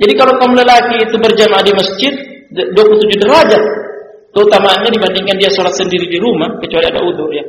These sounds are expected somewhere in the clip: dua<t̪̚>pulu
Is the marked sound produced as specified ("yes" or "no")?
no